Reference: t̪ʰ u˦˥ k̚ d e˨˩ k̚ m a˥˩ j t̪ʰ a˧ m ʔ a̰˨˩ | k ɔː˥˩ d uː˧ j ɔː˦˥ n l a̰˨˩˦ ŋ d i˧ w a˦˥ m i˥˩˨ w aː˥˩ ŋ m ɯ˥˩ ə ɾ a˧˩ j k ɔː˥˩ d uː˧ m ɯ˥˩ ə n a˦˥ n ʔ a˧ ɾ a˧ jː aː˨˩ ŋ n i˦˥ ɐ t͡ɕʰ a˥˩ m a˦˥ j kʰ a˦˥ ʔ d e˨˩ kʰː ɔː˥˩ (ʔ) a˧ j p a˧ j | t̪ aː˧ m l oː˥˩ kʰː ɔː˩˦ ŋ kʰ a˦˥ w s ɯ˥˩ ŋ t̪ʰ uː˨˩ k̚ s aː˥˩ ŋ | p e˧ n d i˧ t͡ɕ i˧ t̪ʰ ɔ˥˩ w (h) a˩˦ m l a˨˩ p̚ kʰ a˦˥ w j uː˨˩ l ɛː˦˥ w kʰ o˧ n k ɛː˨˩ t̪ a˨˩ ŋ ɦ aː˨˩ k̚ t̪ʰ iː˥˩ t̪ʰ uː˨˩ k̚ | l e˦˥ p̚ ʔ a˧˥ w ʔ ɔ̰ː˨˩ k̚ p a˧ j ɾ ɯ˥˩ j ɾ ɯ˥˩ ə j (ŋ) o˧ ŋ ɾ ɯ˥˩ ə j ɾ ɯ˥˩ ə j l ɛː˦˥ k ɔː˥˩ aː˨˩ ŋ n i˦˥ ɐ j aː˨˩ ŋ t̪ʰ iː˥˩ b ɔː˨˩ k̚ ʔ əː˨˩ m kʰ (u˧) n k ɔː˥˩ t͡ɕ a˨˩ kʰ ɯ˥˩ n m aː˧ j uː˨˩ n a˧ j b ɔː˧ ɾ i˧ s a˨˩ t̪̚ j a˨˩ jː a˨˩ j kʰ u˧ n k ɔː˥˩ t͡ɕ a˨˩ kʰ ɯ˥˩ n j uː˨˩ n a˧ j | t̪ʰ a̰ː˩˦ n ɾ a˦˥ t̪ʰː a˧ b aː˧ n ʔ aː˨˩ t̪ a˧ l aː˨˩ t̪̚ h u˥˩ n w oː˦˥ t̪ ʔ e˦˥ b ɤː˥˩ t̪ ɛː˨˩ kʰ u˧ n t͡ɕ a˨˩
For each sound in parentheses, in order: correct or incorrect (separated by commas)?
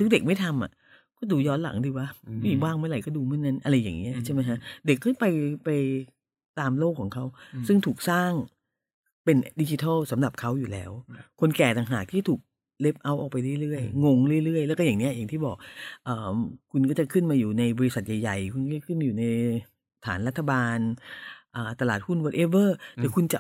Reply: incorrect, incorrect, correct, correct